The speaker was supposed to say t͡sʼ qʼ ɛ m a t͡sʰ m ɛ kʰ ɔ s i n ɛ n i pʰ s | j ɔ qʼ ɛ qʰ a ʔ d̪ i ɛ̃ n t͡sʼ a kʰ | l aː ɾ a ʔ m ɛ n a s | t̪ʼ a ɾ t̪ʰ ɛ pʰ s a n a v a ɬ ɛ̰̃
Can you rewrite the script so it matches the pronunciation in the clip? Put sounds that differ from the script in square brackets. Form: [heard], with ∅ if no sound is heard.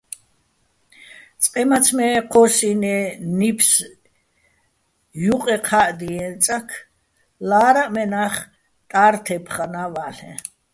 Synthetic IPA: t͡sʼ qʼ ɛ m a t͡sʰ m ɛ [qʰ] ɔ s i n ɛ n i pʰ s | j [u] qʼ ɛ qʰ a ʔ d̪ i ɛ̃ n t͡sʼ a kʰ | l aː ɾ a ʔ m ɛ n a [χ] | t̪ʼ a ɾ t̪ʰ ɛ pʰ [χ] a n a v a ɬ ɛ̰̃